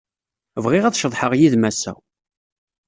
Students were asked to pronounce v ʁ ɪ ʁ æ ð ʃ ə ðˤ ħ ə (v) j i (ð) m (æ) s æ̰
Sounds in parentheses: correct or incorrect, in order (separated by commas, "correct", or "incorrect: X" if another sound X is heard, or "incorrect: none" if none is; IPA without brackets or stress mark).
incorrect: ʁ, correct, correct